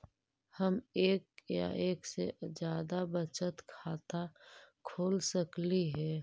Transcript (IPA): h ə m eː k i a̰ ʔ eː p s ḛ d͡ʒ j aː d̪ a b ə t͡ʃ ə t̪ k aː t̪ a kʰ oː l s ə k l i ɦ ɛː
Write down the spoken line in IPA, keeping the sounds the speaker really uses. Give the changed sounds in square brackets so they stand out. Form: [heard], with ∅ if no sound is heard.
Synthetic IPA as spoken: h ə m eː k [j] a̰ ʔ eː [k] s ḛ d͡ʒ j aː d̪ a b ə t͡ʃ ə t̪ [kʰ] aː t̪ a kʰ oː l s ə k l i ɦ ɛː